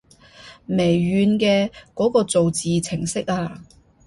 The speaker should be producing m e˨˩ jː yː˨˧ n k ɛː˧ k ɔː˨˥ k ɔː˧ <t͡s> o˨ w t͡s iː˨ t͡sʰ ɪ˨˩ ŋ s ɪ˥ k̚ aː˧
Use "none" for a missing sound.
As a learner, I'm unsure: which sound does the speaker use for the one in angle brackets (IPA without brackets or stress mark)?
t͡s